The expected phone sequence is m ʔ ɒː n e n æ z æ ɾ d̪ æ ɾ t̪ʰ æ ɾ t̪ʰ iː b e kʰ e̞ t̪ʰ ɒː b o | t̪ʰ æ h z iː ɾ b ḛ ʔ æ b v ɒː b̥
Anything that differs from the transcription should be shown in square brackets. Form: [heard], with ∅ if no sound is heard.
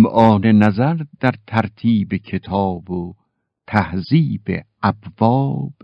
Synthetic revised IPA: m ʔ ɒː n e n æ z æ ɾ d̪ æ ɾ t̪ʰ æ ɾ t̪ʰ iː b e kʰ e̞ t̪ʰ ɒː b o | t̪ʰ æ h z iː [∅] b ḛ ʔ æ b v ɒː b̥